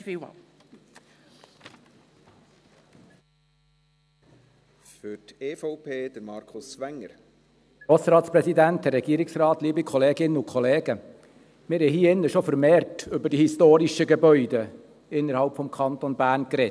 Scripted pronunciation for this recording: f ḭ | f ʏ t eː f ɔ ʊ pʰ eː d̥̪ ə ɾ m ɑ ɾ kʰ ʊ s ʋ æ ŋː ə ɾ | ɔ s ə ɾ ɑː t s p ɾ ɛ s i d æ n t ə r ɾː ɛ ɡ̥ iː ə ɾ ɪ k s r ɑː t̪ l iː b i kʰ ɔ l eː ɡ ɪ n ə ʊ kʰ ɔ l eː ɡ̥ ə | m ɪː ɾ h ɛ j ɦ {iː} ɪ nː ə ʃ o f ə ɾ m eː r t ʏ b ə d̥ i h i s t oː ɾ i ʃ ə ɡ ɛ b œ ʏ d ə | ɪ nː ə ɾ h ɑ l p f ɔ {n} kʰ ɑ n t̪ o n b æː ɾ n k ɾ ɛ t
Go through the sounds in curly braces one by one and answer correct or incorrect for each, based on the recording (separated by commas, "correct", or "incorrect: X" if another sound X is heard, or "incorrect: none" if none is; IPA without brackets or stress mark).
correct, incorrect: m